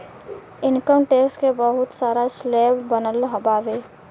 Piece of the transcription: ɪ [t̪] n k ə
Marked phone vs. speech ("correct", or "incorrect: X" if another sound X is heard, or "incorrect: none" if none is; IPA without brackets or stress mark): incorrect: none